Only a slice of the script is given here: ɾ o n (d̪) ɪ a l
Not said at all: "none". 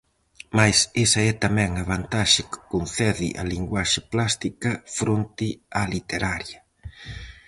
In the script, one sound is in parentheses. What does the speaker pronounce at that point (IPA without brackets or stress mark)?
t̪